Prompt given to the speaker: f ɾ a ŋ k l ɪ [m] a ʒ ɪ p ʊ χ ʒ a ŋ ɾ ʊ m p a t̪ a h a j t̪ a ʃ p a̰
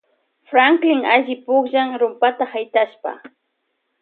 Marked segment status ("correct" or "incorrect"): incorrect